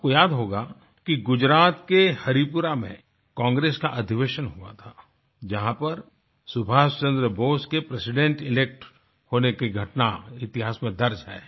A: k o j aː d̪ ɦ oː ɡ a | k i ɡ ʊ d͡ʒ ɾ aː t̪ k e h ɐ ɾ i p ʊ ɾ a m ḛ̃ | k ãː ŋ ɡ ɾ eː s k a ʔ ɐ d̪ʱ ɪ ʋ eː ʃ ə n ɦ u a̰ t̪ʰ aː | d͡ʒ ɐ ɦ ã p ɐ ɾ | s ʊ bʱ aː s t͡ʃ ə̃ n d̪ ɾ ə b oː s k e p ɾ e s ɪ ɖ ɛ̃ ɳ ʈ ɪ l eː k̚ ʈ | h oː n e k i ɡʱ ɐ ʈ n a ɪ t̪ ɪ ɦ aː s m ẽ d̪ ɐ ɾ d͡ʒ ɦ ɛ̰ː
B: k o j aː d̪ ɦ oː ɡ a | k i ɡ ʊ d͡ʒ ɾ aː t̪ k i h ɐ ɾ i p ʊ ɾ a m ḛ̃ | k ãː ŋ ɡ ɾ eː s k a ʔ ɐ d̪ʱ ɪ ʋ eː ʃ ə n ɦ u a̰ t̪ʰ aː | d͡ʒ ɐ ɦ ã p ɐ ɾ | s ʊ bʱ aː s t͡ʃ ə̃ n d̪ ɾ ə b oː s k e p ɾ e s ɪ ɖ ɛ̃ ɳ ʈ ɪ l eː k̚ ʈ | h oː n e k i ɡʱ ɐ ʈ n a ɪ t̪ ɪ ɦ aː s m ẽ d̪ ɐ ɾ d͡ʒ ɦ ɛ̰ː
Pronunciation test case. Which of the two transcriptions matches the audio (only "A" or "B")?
A